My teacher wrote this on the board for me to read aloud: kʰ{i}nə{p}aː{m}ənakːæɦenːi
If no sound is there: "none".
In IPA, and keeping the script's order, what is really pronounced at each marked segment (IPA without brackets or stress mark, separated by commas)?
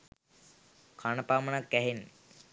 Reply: a, p, m